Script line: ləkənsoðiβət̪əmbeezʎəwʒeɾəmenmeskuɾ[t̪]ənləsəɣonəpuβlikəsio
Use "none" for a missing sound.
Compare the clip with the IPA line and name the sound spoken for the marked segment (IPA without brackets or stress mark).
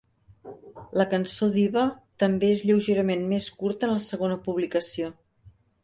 t̪